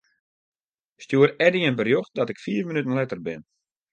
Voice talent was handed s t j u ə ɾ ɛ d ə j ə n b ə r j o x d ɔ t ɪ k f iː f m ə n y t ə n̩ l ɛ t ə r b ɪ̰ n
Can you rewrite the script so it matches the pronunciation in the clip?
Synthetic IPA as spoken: s t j u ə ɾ ɛ d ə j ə n b ə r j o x d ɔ t ɪ k f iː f m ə n y t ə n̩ l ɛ t ə r b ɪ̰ n